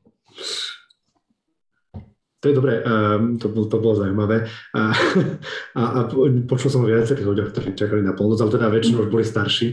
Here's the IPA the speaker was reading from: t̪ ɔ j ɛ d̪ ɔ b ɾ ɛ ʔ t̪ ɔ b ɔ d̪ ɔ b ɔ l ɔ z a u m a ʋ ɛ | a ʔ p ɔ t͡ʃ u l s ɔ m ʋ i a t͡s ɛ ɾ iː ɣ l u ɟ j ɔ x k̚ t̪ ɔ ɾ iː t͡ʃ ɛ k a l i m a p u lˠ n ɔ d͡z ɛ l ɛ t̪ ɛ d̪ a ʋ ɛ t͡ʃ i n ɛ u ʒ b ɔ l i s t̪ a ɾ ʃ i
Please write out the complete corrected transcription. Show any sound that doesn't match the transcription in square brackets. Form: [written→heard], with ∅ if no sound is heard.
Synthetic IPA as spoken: t̪ ɔ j ɛ d̪ ɔ b ɾ ɛ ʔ t̪ ɔ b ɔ [d̪→t̪] ɔ b ɔ l ɔ z a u m a ʋ ɛ | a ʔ p ɔ t͡ʃ u l s ɔ m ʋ [i→ɪ] a t͡s ɛ ɾ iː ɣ l u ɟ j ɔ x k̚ t̪ ɔ ɾ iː t͡ʃ [ɛ→a] k a l i [m→n] a p [u→ɔ] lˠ n ɔ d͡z [ɛ→a] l ɛ t̪ ɛ d̪ a ʋ ɛ t͡ʃ i n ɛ u ʒ b ɔ l i s t̪ a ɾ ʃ i